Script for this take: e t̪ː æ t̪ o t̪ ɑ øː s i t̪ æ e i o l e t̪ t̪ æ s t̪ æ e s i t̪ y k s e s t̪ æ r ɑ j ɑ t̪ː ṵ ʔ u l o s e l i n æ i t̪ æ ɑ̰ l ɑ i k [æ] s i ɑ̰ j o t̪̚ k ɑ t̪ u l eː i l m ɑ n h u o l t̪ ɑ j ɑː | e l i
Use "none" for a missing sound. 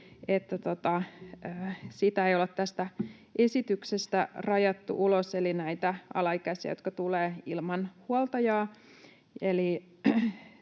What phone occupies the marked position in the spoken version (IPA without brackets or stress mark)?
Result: æ